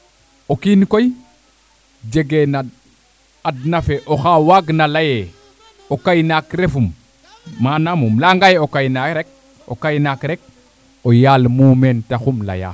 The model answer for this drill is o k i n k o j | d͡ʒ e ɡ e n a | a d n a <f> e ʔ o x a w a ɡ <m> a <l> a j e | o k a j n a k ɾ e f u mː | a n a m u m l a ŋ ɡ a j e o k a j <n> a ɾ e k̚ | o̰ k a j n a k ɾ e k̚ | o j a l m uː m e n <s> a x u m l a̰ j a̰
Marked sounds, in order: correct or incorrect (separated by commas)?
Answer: correct, incorrect, correct, correct, incorrect